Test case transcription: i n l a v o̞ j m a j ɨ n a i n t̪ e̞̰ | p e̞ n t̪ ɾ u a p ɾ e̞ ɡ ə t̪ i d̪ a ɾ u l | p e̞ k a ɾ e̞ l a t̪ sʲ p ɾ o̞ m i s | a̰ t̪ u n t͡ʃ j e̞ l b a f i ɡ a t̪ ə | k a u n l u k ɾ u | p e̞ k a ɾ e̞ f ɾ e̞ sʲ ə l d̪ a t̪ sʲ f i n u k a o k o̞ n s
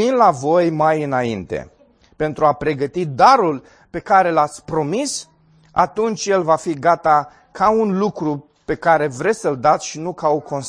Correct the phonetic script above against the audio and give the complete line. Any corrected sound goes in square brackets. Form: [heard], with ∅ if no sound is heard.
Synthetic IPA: i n l a v o̞ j m a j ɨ n a i n t̪ e̞̰ | p e̞ n t̪ ɾ u a p ɾ e̞ ɡ ə t̪ i d̪ a ɾ u l | p e̞ k a ɾ e̞ l a t̪ sʲ p ɾ o̞ m i s | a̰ t̪ u n t͡ʃ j e̞ l [v] a f i ɡ a t̪ [a] | k a u n l u k ɾ u | p e̞ k a ɾ e̞ [v] ɾ e̞ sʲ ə l d̪ a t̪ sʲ [ʃ] i n u k a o k o̞ n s